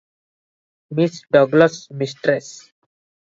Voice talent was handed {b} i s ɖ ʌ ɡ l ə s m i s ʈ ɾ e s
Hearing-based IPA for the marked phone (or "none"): m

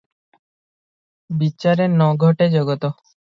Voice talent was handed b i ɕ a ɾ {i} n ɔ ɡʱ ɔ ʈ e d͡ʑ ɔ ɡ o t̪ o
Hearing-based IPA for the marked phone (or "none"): e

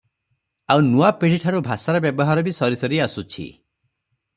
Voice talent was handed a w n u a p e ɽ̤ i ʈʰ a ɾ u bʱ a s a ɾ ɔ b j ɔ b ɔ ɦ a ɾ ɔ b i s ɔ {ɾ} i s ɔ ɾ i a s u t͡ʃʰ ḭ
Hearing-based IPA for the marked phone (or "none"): ɾ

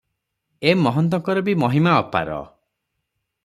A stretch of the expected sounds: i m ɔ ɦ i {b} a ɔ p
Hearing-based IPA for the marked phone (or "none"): m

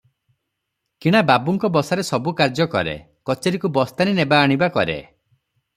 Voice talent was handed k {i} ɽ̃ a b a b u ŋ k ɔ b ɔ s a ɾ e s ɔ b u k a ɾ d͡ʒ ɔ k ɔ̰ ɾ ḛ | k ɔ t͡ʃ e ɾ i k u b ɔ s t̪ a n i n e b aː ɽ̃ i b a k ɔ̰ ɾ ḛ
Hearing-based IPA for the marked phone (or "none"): i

